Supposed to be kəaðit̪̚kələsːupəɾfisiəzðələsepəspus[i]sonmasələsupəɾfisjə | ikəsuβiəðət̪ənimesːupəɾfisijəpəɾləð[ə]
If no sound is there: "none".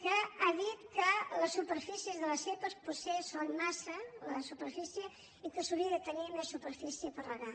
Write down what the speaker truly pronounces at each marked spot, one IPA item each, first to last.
e, a

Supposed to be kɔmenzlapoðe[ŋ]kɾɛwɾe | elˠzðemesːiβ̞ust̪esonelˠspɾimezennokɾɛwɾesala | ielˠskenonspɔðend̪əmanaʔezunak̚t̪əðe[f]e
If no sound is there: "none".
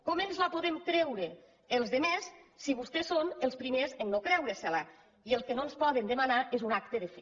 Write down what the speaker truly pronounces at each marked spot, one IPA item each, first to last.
m, f

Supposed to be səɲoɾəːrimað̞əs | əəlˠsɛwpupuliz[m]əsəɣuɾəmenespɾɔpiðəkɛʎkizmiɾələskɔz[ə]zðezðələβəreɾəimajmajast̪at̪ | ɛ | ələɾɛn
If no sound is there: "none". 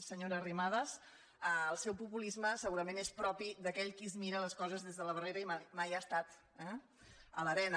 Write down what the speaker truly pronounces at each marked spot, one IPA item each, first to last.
m, ə

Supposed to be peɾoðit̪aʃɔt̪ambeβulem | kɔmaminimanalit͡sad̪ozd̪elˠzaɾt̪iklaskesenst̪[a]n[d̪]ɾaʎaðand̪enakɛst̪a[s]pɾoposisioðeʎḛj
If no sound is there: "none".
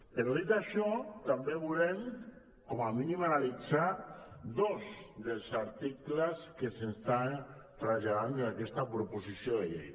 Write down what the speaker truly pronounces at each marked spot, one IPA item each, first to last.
a, t̪, none

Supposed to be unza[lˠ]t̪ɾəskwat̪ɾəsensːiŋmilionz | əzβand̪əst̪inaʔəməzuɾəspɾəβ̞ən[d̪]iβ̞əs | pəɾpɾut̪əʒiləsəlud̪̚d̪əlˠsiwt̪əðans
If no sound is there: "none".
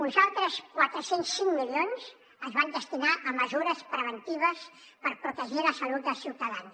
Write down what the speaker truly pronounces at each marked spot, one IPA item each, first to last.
lˠ, t̪

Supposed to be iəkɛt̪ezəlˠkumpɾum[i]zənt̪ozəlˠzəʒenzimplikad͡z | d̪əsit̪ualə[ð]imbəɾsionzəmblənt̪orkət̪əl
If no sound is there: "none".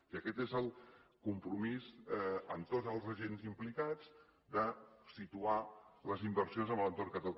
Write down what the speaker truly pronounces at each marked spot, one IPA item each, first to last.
i, z

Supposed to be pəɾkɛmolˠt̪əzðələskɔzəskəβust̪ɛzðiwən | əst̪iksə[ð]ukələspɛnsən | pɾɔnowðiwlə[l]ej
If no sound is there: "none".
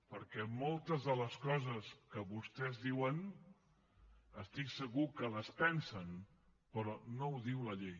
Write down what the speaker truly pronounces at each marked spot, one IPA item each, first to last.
ɣ, ʎ

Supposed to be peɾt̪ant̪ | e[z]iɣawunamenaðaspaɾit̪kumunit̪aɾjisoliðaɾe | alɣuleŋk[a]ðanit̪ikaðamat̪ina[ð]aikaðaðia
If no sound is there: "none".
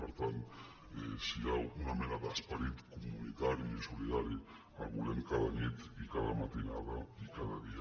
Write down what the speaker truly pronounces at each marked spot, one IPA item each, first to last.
s, a, ð

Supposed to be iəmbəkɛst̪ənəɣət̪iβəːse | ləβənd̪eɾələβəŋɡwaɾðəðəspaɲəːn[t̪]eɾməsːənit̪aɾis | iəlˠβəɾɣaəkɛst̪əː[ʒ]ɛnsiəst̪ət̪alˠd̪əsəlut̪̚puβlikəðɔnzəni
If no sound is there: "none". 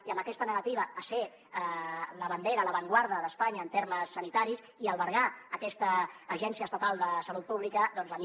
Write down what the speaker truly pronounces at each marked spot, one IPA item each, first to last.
t̪, ʒ

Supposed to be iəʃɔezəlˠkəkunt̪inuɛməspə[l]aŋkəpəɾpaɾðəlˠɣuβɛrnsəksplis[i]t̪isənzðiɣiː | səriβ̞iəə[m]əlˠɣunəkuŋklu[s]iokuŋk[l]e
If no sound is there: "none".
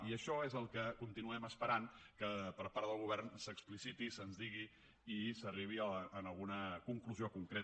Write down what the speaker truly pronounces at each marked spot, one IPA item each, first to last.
ɾ, i, n, z, ɾ

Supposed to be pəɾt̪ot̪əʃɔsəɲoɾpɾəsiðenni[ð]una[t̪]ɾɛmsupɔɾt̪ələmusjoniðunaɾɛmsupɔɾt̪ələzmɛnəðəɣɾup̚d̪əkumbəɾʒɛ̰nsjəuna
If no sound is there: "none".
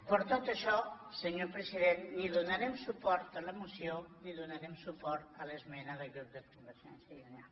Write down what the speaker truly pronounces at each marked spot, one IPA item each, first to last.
ð, none

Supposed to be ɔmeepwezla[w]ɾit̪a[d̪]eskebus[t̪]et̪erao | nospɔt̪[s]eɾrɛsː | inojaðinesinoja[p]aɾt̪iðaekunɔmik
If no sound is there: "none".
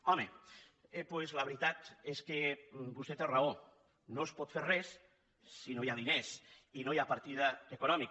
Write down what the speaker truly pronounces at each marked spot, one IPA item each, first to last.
β, t̪, t̪, f, p

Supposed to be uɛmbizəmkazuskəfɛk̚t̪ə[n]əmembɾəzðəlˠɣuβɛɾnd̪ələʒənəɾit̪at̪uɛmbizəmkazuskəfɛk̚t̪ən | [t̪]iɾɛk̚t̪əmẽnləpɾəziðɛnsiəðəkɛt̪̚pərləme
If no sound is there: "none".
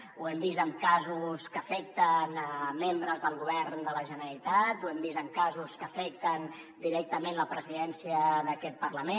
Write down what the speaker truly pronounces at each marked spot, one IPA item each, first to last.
n, d̪

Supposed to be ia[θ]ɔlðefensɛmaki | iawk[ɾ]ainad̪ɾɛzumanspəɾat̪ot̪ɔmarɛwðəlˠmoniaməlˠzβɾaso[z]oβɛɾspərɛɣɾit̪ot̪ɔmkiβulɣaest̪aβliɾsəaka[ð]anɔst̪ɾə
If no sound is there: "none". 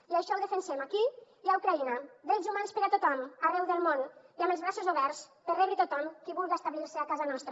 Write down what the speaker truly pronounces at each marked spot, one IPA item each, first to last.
ʃ, ɾ, z, z

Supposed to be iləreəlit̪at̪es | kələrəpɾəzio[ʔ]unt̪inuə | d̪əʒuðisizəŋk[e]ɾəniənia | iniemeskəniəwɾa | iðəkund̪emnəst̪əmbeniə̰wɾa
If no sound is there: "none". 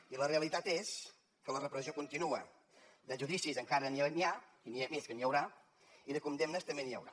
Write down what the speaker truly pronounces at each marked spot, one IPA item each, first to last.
k, a

